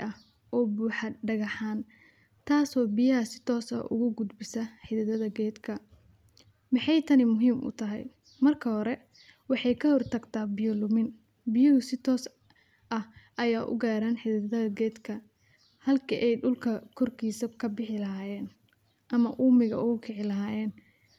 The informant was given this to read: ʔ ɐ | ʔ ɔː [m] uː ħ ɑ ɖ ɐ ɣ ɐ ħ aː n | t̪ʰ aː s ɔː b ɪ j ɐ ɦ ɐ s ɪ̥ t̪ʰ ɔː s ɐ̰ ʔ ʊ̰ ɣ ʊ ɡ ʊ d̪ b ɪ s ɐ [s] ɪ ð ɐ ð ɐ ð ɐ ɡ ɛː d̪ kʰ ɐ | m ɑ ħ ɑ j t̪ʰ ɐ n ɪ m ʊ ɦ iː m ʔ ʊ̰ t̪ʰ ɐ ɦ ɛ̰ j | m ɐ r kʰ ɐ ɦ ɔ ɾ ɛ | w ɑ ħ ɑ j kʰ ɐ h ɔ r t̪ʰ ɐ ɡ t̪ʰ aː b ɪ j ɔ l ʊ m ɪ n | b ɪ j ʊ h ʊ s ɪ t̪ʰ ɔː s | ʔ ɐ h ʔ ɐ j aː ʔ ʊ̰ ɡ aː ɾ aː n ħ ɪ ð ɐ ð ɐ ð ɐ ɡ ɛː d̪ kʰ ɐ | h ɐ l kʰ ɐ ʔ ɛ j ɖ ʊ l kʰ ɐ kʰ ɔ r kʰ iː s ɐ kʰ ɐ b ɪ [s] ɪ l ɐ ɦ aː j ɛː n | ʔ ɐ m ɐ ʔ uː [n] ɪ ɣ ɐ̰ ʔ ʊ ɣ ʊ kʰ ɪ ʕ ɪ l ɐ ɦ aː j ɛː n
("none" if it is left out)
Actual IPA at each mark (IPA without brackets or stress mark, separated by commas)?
b, ħ, ħ, m